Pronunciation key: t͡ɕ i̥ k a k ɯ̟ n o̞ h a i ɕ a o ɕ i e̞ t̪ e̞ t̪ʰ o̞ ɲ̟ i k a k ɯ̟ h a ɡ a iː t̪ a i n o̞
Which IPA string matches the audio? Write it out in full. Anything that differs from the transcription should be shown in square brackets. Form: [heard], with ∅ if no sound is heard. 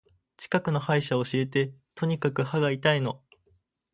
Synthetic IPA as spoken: t͡ɕ i̥ k a k ɯ̟ n o̞ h a i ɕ a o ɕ i e̞ t̪ e̞ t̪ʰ o̞ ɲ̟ i k a k ɯ̟ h a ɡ a [i] t̪ a i n o̞